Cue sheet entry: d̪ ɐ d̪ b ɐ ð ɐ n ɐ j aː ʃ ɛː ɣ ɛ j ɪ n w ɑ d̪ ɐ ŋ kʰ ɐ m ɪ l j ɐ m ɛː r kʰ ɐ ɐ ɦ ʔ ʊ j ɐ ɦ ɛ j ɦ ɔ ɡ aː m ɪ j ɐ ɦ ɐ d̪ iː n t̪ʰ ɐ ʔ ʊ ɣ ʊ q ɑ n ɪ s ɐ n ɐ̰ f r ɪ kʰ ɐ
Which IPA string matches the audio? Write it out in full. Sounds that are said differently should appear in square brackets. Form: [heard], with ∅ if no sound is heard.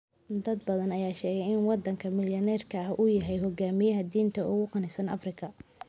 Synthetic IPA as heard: d̪ ɐ d̪ b ɐ ð ɐ n ɐ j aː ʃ ɛː ɣ ɛ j ɪ n w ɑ d̪ ɐ ŋ kʰ ɐ m ɪ l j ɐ [n] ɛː r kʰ ɐ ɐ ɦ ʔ ʊ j ɐ ɦ ɛ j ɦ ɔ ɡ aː m ɪ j ɐ ɦ ɐ d̪ iː n t̪ʰ ɐ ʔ ʊ ɣ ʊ q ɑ n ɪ s ɐ n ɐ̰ f r ɪ kʰ ɐ